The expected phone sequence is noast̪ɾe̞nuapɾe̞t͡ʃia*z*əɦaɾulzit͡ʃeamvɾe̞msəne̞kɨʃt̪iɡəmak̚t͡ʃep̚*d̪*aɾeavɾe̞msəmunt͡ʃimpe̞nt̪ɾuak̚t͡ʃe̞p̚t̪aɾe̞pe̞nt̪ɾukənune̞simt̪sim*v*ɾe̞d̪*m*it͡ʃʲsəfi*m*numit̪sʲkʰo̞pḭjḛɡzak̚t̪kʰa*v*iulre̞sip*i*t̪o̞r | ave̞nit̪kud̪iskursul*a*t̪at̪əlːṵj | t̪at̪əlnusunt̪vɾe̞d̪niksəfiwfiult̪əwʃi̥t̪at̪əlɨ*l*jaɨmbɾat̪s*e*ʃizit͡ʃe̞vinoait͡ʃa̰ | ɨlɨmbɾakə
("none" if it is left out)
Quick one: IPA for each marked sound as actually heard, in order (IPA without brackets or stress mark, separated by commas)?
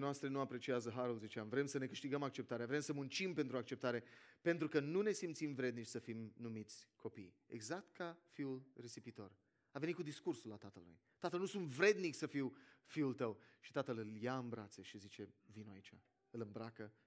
z, t̪, v, n, m, f, i, a, l, e